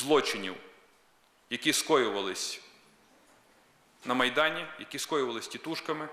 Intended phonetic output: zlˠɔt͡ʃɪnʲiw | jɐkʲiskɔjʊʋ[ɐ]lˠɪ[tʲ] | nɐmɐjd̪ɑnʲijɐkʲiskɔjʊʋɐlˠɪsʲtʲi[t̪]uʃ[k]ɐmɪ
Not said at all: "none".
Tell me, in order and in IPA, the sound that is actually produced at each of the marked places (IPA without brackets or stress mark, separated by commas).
ɐ, sʲ, t̪, k